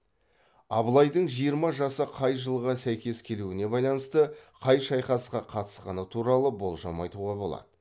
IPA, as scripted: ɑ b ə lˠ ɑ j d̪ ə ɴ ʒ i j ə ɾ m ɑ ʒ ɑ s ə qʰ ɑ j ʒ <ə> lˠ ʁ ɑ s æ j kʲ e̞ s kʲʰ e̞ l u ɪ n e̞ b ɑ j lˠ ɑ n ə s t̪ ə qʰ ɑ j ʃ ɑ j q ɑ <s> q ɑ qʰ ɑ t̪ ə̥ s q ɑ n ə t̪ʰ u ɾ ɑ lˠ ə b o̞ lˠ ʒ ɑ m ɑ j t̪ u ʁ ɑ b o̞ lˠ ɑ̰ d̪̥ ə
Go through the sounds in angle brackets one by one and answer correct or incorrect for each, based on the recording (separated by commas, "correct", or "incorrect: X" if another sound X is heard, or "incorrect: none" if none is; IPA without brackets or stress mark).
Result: correct, correct